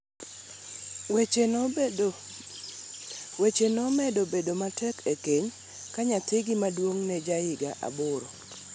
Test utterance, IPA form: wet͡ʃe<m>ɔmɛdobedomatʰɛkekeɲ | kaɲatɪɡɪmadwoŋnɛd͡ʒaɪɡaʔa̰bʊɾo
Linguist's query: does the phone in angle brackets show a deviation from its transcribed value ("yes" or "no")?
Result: yes